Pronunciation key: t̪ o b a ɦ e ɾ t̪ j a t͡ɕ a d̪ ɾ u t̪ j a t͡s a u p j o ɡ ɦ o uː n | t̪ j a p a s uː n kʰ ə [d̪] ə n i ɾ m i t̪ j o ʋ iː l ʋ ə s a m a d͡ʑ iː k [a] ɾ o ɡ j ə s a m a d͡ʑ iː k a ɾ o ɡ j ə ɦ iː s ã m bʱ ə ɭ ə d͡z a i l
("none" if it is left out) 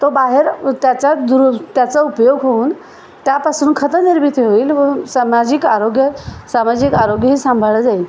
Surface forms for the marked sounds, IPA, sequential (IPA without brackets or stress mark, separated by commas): t̪, a